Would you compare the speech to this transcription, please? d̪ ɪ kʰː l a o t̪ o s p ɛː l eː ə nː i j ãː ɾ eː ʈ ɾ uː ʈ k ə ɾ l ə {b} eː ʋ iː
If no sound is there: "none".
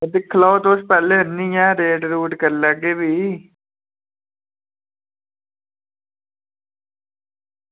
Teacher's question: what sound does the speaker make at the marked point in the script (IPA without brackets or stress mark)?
ɡ